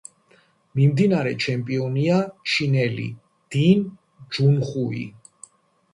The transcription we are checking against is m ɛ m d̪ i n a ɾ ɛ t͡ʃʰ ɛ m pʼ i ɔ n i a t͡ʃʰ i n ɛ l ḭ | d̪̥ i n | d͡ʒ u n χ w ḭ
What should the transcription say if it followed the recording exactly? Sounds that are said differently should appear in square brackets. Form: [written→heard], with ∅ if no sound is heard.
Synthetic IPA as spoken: m [ɛ→i] m d̪ i n a ɾ ɛ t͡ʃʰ ɛ m pʼ i ɔ n i a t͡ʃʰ i n ɛ l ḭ | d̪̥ i n | d͡ʒ u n χ [w→u] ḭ